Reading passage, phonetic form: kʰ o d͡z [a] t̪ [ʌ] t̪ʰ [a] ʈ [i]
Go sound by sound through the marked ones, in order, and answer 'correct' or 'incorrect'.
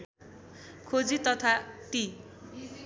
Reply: incorrect, correct, correct, correct

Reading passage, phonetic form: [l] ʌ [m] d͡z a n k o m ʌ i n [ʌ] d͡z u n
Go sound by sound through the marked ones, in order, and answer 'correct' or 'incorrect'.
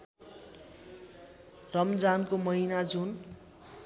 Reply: incorrect, correct, incorrect

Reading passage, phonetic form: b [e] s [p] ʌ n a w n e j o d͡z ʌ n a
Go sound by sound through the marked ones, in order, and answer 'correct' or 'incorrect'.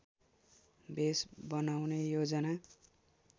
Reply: correct, incorrect

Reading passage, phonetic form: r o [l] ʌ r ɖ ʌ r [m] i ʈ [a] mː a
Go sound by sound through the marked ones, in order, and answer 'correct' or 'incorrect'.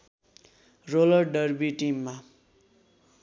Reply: correct, incorrect, incorrect

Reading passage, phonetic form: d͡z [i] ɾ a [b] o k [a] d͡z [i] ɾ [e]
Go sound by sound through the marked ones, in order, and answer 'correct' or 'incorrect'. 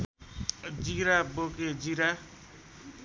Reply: correct, correct, incorrect, correct, incorrect

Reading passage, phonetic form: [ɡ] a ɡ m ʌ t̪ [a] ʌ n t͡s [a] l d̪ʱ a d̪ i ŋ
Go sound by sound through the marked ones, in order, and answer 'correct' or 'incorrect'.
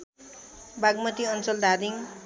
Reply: incorrect, incorrect, incorrect

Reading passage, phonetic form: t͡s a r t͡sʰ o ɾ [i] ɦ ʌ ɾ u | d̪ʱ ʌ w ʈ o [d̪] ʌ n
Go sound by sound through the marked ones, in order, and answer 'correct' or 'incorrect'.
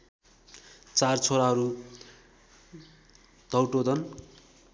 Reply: incorrect, correct

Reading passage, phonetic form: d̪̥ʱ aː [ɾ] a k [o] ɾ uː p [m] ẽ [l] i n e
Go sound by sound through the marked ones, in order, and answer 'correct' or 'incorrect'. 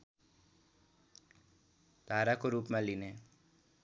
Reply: correct, correct, correct, correct

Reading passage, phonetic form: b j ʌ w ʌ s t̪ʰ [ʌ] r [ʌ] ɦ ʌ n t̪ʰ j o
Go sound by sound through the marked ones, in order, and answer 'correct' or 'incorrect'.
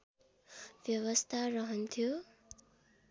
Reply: incorrect, correct

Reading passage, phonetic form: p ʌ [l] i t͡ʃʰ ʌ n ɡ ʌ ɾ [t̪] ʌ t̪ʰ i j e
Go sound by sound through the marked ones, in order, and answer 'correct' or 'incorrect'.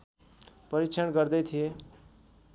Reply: incorrect, incorrect

